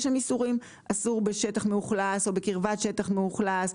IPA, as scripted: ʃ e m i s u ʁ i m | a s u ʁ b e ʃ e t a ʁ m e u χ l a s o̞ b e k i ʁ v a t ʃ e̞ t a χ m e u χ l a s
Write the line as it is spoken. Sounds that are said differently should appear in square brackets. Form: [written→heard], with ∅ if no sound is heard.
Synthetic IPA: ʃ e m i s u ʁ i m | a s u ʁ b e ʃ e t a [ʁ→χ] m e u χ l a s o̞ b e k i ʁ v a t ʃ e̞ t a χ m e u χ l a s

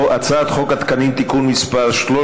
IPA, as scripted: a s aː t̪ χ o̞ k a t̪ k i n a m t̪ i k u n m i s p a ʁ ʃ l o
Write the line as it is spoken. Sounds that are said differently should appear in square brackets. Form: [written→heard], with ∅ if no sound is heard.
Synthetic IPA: a [s→t͡s] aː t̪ χ o̞ k a t̪ k [i→a] n [a→i] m t̪ i k u n m i s p a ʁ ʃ l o

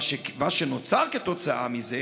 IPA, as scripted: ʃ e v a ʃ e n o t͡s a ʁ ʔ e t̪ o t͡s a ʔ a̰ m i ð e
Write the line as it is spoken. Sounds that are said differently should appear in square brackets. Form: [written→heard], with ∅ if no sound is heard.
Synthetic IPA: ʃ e v a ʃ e n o t͡s a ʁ [ʔ→k] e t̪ o t͡s a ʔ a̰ m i [ð→z] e

